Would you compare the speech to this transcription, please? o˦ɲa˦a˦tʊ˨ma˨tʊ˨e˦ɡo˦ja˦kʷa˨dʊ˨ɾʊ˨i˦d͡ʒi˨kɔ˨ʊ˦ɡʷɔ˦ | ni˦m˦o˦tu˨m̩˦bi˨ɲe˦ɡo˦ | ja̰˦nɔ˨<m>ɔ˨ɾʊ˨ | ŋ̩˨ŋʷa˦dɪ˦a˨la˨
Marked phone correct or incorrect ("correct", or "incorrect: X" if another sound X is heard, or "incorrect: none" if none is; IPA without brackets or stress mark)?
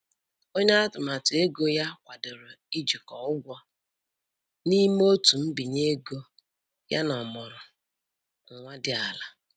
correct